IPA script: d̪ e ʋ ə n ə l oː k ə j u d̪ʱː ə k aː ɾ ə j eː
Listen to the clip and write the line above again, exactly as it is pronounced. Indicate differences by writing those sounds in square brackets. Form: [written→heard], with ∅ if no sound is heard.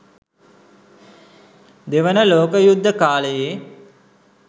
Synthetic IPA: d̪ e ʋ ə n ə l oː k ə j u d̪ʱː ə k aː [ɾ→l] ə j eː